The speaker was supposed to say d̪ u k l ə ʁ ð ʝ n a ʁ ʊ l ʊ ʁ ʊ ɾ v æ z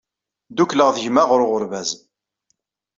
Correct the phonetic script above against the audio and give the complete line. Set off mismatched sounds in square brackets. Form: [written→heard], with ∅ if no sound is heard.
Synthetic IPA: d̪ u k l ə ʁ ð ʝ [n→m] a ʁ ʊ [l→ɾ] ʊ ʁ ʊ ɾ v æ z